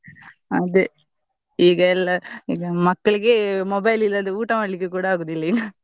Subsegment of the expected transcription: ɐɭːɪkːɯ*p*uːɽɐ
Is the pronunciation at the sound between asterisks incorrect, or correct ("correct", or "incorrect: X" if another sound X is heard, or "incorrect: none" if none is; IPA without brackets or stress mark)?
incorrect: k